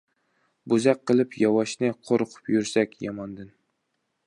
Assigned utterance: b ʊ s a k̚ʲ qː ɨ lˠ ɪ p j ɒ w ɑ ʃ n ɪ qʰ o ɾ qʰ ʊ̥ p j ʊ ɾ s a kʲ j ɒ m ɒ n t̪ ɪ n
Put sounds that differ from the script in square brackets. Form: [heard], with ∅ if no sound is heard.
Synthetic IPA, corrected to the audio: b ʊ [z] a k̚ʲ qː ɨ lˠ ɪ p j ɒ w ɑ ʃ n ɪ qʰ o ɾ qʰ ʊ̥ p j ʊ ɾ s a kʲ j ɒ m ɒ n [d̪] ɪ n